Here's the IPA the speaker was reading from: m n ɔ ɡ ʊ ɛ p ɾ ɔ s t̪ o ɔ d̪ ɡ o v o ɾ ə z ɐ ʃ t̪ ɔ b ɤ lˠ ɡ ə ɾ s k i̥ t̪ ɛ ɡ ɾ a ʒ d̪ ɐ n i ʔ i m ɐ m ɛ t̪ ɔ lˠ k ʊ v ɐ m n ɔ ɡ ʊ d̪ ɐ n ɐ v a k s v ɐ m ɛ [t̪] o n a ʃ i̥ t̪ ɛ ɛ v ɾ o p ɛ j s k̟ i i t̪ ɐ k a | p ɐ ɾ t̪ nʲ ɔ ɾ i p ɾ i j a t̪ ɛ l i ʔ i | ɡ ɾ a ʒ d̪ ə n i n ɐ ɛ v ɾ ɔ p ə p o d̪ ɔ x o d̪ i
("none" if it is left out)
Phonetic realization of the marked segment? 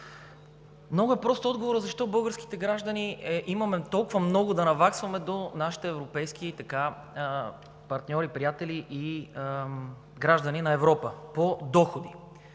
d̪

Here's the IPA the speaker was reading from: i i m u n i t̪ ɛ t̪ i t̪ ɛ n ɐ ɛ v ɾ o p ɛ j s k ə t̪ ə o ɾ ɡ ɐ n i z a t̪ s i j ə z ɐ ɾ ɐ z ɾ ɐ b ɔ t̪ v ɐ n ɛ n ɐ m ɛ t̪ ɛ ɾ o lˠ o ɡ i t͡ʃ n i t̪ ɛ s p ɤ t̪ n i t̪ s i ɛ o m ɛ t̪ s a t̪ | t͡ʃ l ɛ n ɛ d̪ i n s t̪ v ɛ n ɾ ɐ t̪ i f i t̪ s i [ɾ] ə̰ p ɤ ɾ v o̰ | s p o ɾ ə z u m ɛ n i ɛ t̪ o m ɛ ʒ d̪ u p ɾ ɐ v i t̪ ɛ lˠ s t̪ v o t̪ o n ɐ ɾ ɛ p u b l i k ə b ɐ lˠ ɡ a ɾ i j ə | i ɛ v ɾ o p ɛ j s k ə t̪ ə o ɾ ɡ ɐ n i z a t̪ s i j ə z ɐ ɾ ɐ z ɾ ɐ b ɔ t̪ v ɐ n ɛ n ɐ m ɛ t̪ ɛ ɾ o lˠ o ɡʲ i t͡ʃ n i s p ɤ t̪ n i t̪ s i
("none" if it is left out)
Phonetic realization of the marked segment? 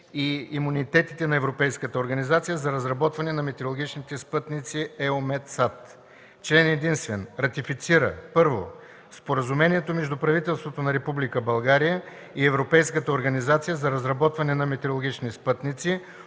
ɾ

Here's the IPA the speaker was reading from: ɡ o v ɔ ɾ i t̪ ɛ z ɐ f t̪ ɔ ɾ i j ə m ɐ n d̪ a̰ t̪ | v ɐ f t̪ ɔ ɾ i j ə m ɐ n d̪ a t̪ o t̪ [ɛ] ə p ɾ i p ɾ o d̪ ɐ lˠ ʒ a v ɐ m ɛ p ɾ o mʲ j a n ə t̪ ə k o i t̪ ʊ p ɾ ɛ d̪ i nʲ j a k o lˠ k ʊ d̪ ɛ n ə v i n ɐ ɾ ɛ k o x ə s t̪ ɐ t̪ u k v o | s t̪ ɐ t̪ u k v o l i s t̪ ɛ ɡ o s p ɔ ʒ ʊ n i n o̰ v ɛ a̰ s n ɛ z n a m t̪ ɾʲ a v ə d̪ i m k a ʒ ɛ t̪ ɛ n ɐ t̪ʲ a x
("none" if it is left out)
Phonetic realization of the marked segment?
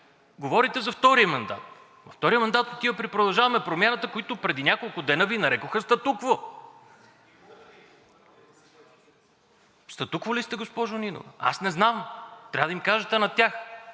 i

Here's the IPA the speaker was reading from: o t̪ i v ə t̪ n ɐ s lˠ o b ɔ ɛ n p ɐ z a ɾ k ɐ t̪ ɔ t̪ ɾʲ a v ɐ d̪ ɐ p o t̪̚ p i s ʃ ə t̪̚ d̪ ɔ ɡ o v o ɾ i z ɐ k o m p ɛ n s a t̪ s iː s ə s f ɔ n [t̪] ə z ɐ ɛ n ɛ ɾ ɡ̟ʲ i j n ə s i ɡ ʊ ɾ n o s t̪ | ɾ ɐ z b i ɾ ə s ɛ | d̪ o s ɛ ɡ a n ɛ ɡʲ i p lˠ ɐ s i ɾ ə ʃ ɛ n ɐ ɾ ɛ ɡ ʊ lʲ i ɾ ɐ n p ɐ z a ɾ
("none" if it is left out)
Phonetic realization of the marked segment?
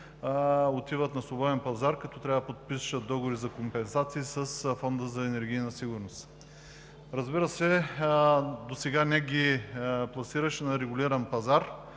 d̪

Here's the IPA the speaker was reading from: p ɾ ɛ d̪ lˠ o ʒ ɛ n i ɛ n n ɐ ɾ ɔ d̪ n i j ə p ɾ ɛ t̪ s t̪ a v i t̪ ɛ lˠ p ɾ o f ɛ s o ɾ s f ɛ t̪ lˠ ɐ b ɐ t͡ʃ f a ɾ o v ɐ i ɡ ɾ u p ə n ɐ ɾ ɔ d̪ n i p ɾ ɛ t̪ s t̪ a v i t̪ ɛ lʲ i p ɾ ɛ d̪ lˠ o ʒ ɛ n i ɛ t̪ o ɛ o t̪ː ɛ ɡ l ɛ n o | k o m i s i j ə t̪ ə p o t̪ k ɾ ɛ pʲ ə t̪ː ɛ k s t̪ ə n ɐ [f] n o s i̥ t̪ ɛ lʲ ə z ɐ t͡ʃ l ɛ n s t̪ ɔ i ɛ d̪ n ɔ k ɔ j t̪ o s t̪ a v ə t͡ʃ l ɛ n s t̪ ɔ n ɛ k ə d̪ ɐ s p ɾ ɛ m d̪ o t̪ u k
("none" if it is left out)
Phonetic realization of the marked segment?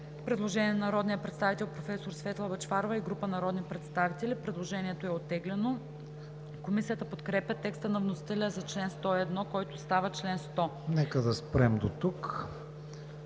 v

